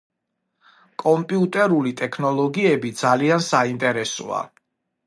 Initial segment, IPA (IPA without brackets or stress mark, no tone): kʼ